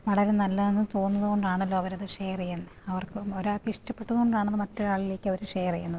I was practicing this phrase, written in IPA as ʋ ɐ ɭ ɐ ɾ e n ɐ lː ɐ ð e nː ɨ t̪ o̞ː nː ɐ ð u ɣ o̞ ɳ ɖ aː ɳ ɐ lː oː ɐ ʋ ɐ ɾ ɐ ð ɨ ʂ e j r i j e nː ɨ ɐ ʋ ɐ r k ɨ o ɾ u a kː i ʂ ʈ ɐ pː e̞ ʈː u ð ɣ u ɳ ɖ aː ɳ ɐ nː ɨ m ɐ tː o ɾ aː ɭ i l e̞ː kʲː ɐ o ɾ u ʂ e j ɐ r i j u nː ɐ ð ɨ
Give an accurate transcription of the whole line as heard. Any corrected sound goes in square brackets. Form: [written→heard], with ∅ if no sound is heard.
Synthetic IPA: ʋ ɐ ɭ ɐ ɾ e n ɐ lː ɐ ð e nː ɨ t̪ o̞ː nː ɐ ð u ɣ o̞ ɳ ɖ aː ɳ ɐ lː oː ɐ ʋ ɐ ɾ ɐ ð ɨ ʂ e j r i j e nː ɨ ɐ ʋ ɐ r k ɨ o ɾ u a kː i ʂ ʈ ɐ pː e̞ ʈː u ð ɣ [u→o] ɳ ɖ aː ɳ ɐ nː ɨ m ɐ tː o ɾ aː ɭ i l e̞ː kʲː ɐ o ɾ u ʂ e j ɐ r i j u nː ɐ ð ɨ